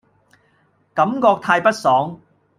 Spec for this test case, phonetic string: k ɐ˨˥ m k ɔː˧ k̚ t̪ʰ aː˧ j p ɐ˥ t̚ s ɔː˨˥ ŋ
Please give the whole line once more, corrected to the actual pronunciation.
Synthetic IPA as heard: k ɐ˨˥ m k ɔː˧ k̚ t̪ʰ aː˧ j p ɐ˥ t̚ s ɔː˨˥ ŋ

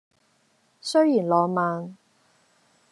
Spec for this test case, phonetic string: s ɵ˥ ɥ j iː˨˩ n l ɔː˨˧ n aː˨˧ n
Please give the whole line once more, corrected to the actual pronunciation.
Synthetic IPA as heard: s ɵ˥ ɥ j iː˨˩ n l ɔː˨˧ m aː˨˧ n

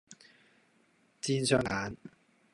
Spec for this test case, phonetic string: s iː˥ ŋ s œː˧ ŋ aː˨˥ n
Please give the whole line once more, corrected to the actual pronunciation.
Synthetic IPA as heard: t͡s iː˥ n s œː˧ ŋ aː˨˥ n

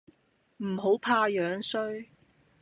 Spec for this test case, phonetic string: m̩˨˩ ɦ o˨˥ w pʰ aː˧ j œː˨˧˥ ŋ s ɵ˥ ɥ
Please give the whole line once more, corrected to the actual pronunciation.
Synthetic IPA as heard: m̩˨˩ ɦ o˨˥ w pʰ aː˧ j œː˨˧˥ ŋ s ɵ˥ ɥ

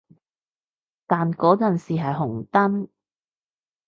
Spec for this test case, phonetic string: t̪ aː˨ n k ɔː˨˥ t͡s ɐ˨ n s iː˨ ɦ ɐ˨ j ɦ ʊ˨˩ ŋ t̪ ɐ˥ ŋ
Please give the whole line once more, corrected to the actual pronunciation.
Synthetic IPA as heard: t̪ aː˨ n k ɔː˨˥ t͡s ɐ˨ n s iː˨ ɦ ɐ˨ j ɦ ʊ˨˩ ŋ t̪ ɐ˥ n

